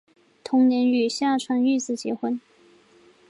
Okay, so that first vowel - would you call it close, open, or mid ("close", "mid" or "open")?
close